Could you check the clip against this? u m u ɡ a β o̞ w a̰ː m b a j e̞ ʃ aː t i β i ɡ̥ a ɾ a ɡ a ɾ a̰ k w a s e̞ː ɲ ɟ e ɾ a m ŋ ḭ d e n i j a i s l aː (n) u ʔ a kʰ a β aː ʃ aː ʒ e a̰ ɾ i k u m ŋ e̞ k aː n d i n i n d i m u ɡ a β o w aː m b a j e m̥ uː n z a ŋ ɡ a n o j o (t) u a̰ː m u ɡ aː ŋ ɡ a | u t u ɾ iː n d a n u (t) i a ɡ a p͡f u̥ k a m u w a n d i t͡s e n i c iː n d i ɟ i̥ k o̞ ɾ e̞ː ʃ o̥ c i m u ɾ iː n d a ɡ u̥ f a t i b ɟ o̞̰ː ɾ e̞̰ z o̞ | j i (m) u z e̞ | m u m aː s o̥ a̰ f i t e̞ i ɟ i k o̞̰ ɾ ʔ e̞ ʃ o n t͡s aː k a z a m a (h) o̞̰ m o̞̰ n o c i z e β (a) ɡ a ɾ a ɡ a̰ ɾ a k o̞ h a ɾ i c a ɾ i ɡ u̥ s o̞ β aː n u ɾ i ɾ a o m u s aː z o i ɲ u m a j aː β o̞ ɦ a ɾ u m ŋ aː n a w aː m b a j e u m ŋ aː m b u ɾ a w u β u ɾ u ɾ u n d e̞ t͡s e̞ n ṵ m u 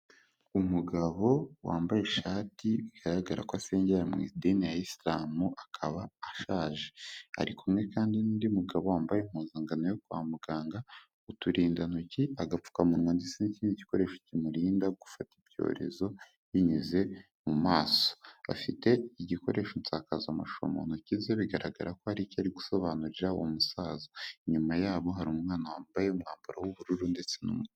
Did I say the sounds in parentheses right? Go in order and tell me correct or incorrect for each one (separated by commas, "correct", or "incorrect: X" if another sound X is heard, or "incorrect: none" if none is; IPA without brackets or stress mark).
incorrect: m, incorrect: k, incorrect: c, incorrect: ɲ, incorrect: ʃ, incorrect: i